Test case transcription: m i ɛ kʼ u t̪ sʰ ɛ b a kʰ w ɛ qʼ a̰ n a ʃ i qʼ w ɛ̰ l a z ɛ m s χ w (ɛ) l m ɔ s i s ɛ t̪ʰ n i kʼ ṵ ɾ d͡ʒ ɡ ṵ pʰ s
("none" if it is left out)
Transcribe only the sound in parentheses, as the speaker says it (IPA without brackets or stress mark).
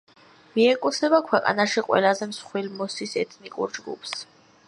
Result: i